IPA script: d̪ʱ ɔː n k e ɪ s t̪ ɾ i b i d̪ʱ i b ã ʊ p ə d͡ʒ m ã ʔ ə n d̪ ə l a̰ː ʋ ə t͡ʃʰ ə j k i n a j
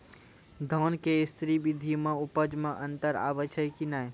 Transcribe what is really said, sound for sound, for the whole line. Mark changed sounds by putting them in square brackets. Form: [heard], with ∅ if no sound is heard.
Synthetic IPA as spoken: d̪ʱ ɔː n k e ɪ s t̪ ɾ i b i d̪ʱ i [m] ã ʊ p ə d͡ʒ m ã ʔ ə n [t̪] ə [ɾ] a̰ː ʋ ə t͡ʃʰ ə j k i n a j